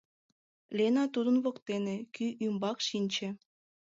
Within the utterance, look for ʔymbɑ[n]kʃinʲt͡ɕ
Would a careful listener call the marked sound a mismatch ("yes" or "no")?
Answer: yes